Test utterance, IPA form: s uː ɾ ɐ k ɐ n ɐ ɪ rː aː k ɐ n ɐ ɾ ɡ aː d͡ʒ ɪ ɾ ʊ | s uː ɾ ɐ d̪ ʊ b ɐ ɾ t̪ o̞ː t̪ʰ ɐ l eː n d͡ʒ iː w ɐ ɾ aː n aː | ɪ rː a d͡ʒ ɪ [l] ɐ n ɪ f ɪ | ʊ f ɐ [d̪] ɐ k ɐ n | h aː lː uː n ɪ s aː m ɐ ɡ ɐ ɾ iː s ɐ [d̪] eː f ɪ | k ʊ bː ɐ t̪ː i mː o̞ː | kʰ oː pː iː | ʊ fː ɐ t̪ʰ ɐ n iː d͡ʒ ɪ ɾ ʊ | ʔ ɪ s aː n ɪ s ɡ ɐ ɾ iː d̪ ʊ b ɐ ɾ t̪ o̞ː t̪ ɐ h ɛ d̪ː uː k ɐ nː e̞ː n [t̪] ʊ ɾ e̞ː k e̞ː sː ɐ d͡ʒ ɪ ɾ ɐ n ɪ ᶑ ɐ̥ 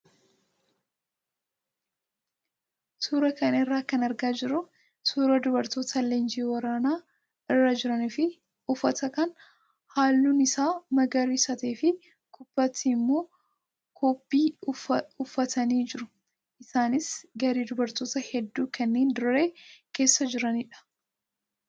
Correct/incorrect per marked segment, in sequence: incorrect: ɾ, incorrect: t̪, incorrect: t̪, incorrect: d̪

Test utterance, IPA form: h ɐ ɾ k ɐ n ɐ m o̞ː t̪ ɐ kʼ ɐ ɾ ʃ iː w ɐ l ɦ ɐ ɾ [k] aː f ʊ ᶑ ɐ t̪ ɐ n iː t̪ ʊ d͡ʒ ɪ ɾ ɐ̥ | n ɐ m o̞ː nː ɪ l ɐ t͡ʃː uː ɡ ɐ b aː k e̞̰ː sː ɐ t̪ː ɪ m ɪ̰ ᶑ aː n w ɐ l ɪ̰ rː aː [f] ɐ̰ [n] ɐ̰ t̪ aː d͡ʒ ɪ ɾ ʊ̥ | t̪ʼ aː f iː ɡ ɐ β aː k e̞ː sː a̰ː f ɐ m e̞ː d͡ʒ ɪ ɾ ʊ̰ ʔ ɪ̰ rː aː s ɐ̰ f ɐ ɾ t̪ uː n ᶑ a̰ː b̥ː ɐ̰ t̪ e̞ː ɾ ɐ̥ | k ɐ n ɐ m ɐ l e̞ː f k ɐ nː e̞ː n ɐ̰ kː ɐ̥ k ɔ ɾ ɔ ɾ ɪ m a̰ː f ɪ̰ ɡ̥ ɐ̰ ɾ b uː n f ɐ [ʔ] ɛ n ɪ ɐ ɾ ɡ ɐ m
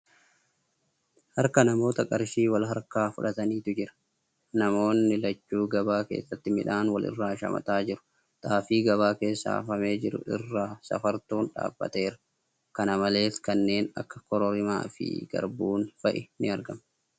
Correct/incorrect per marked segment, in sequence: correct, incorrect: ʃ, incorrect: m, correct

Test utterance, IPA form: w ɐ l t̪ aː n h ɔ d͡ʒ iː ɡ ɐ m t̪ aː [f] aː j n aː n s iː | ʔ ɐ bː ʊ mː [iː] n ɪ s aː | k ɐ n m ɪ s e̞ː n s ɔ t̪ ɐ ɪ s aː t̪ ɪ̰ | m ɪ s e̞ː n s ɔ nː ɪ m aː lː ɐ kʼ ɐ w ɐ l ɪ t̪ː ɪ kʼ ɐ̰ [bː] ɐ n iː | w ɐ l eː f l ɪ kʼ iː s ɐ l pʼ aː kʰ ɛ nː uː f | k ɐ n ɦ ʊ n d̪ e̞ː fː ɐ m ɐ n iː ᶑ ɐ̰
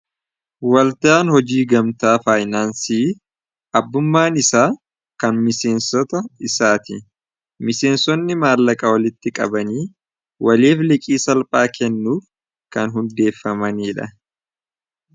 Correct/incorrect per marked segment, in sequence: correct, incorrect: aː, incorrect: b

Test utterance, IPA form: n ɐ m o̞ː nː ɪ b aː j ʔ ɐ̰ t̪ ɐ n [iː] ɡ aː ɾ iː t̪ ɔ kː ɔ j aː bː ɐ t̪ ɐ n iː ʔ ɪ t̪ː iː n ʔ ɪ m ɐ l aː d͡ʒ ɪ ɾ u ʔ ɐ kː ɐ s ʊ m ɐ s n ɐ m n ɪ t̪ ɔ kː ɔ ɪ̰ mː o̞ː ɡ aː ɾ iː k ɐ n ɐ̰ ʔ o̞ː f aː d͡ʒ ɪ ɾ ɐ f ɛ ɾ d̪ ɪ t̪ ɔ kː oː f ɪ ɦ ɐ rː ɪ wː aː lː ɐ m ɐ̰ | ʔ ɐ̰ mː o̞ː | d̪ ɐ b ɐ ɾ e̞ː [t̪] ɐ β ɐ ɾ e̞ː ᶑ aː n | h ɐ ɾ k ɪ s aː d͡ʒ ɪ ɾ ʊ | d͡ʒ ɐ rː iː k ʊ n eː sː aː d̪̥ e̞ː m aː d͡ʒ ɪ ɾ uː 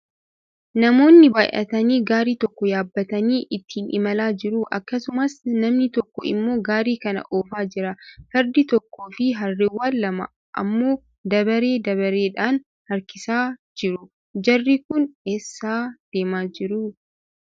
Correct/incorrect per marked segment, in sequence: correct, incorrect: d̪

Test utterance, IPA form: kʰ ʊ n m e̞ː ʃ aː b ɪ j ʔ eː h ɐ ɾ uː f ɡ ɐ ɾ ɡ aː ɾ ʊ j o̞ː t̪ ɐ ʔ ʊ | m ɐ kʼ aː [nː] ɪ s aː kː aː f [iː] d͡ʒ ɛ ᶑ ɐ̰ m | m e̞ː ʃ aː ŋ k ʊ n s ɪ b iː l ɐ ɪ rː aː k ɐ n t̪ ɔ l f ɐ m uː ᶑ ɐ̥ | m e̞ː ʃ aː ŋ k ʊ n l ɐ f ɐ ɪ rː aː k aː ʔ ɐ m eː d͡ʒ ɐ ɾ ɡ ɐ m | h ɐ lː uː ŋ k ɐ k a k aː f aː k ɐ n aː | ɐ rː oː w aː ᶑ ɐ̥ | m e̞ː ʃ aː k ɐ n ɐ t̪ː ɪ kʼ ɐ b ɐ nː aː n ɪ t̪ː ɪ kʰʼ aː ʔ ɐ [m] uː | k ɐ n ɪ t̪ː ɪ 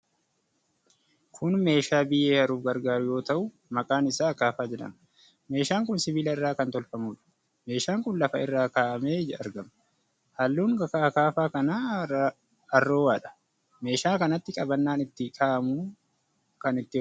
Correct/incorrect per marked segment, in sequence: incorrect: n, incorrect: aː, correct

